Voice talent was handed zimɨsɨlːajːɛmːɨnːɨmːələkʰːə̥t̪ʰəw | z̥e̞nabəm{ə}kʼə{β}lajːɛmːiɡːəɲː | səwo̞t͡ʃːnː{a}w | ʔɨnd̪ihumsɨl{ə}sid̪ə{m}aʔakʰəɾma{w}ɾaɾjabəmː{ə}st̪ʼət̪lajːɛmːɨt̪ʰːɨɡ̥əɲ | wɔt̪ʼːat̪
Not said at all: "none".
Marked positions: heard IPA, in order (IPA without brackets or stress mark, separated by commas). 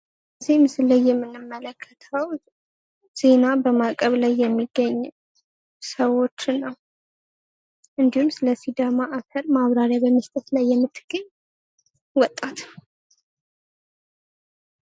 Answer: a, β, ə, ə, m, β, ə